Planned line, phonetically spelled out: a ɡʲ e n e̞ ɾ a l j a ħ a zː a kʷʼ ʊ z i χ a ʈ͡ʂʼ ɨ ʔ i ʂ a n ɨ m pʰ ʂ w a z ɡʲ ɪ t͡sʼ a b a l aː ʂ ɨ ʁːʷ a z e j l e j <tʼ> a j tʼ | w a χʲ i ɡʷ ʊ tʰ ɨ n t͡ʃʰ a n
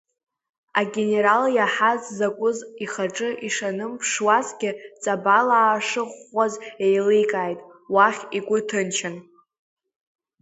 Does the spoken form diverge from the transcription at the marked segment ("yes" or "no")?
yes